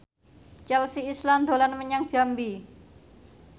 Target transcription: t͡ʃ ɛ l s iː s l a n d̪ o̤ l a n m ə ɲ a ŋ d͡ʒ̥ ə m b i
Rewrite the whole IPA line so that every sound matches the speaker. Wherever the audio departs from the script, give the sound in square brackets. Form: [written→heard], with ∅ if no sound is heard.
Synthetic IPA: t͡ʃ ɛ l s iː s l a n d̪ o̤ l a n m ə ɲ a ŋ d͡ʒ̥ [ə→a] m b i